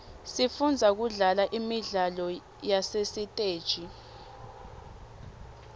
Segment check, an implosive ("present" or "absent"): absent